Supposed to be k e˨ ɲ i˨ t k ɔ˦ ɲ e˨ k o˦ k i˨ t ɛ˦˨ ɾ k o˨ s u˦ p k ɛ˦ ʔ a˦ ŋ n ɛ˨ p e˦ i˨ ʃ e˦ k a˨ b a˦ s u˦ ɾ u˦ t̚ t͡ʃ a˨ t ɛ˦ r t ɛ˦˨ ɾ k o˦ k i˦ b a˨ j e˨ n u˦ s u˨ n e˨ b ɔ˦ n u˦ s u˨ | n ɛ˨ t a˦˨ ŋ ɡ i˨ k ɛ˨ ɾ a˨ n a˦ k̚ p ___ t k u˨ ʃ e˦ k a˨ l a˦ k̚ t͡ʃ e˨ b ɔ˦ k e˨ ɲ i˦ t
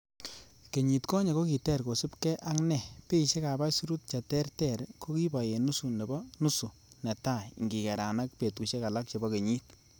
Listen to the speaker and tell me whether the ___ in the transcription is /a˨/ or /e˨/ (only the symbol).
e˨